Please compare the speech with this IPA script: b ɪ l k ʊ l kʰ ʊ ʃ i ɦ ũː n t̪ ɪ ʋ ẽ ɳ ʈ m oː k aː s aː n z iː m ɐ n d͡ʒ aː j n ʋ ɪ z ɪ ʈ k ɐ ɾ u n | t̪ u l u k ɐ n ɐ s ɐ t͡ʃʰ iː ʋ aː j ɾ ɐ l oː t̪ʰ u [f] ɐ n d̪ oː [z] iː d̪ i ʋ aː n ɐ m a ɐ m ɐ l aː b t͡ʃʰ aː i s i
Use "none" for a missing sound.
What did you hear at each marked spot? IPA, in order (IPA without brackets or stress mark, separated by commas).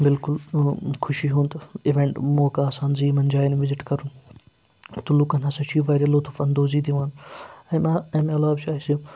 f, z